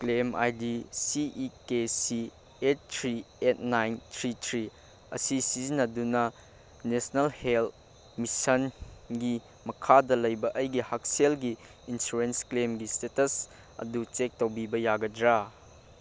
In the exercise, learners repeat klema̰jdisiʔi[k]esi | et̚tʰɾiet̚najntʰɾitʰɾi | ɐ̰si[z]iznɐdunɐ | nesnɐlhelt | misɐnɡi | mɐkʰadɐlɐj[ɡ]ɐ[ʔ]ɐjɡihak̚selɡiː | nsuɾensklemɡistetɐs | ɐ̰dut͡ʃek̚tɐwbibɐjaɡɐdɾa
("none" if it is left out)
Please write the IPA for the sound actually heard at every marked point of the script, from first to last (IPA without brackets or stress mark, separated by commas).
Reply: k, s, b, ʔ